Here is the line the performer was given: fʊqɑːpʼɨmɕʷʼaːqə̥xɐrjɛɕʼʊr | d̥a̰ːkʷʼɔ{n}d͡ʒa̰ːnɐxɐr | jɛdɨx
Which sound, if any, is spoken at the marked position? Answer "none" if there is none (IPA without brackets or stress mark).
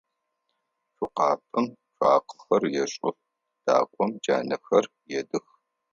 m